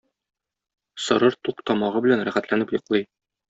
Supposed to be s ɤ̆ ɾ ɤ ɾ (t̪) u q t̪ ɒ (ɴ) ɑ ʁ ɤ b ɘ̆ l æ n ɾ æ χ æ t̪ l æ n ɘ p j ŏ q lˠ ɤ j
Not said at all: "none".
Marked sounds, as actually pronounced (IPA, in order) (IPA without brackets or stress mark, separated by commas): t̪, m